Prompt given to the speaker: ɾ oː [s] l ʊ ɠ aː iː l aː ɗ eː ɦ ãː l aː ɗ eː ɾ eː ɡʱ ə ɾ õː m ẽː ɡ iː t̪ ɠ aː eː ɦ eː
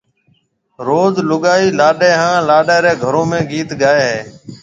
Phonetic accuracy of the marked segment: incorrect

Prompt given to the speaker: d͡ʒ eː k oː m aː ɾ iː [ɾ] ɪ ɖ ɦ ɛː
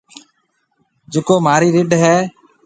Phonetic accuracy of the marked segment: correct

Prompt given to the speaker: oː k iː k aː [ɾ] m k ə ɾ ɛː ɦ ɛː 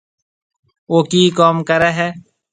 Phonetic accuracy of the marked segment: incorrect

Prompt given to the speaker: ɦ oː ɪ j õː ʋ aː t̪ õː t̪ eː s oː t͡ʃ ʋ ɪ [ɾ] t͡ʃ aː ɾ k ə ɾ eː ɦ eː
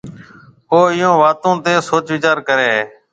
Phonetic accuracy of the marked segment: incorrect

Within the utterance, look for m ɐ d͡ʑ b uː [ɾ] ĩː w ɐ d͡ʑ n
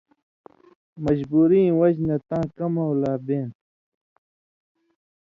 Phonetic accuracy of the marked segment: correct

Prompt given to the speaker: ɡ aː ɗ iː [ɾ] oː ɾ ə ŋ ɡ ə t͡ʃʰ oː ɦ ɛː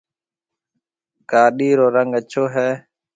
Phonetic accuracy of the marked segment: correct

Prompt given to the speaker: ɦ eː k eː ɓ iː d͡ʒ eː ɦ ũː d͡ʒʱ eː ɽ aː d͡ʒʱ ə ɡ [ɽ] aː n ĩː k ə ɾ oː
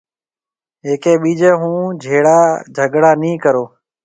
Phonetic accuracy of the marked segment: correct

